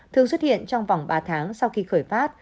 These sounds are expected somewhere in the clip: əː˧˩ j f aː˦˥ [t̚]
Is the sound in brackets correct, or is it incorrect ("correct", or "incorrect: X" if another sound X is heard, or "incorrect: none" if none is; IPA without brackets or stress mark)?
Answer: correct